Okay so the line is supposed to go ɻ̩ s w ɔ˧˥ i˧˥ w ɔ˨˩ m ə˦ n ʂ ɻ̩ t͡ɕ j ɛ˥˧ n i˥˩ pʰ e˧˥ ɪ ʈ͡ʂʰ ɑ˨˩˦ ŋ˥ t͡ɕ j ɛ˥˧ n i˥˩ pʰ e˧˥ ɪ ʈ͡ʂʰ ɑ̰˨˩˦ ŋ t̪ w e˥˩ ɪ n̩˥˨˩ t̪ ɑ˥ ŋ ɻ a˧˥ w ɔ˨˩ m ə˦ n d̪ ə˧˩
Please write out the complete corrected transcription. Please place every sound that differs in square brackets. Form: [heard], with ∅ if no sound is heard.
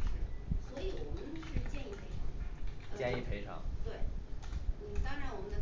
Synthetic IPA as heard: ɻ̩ s w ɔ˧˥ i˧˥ w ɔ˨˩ m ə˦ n ʂ ɻ̩ t͡ɕ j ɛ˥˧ n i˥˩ pʰ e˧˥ ɪ ʈ͡ʂʰ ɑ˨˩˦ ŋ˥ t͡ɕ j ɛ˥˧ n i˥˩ pʰ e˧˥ ɪ ʈ͡ʂʰ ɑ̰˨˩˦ ŋ t̪ w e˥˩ ɪ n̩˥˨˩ t̪ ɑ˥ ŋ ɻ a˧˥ w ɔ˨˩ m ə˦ n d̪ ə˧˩